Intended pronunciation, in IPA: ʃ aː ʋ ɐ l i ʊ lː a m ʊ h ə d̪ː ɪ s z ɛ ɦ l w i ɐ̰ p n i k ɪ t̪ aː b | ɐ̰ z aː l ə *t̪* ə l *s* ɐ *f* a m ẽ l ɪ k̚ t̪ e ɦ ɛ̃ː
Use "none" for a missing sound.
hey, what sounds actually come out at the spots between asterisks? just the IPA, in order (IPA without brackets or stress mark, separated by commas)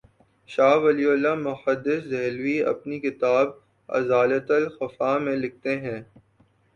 t̪, x, f